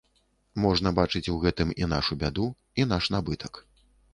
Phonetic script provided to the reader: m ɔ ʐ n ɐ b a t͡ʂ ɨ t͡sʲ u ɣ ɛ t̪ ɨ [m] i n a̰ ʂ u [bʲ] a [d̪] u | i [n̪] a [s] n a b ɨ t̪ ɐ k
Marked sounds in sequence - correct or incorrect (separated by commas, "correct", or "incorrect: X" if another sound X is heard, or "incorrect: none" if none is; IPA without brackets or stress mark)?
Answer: correct, correct, correct, correct, incorrect: ʂ